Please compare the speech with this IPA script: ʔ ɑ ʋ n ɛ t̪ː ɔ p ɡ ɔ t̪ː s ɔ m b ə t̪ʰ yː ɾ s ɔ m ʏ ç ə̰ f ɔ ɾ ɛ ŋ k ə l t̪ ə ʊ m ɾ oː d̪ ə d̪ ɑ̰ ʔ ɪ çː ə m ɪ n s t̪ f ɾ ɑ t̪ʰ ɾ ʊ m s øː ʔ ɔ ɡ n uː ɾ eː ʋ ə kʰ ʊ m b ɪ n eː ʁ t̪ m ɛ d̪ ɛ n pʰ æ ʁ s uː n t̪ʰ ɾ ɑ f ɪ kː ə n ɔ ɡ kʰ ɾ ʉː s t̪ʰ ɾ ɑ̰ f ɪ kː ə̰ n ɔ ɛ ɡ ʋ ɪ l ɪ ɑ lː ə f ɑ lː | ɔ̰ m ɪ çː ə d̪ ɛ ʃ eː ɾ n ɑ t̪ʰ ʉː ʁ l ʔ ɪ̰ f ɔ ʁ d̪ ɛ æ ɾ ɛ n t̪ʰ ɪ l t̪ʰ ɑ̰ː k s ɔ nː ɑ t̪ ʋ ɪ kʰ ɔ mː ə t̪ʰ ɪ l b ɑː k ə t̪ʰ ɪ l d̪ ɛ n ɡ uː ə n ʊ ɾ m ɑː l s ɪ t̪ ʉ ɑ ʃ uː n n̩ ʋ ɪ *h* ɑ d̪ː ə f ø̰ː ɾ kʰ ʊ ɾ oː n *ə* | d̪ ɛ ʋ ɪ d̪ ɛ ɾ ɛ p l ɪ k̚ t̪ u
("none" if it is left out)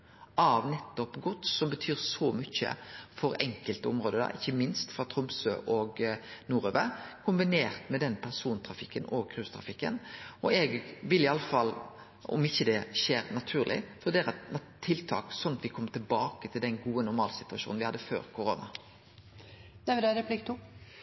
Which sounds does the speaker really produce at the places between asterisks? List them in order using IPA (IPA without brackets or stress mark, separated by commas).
h, ɑ